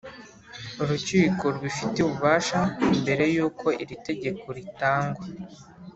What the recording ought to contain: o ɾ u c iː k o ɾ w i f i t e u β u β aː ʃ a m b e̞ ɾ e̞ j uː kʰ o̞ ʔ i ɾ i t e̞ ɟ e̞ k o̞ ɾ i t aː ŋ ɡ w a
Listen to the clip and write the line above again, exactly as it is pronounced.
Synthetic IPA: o ɾ u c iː k o ɾ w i f i t e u β u β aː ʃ a m b e̞ ɾ e̞ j uː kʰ o̞ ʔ i ɾ i t e̞ ɟ e̞ k o̞ ɾ i t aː ŋ ɡ w a